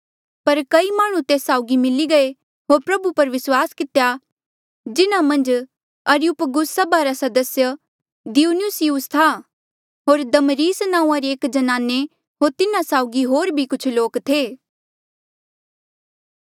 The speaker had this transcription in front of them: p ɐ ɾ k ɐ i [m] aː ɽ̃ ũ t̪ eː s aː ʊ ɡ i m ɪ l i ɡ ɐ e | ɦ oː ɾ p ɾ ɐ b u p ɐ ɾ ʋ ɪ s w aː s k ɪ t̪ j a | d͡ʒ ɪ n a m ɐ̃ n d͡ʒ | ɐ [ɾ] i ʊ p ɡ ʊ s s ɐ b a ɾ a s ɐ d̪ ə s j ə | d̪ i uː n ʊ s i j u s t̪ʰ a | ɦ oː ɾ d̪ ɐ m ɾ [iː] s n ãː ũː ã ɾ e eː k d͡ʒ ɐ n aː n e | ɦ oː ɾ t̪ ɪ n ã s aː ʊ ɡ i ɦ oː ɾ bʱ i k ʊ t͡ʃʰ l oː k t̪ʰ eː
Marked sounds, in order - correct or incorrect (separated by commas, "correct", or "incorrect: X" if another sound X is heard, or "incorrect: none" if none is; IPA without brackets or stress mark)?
correct, correct, correct